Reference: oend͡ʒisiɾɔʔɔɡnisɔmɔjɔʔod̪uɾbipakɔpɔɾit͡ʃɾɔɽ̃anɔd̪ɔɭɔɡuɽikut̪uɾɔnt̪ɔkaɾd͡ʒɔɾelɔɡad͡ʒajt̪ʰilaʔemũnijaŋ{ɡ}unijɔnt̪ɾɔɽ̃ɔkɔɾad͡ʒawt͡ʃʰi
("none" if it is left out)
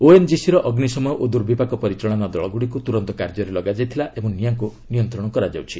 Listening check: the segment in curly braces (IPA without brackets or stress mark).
k